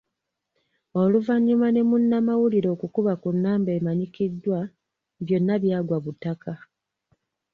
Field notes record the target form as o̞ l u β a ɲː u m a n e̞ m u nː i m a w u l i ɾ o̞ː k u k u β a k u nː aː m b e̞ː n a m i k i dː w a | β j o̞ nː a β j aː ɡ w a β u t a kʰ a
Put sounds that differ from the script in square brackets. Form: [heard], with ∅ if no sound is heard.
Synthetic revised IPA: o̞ l u [v] a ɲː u m a n e̞ m u nː [a] m a w u l i ɾ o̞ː k u k u β a k u nː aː m b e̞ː [m] a [ɲ] i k i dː w a | β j o̞ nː a β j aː ɡ w a β u t a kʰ a